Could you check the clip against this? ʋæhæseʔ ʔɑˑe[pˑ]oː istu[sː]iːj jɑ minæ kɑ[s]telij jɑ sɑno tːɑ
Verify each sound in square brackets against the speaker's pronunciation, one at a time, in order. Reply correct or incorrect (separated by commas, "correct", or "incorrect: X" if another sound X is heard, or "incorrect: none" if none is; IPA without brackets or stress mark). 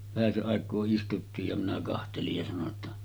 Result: incorrect: kˑ, incorrect: tː, incorrect: h